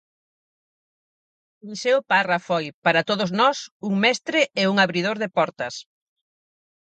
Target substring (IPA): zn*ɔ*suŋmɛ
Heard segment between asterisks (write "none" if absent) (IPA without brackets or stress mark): ɔ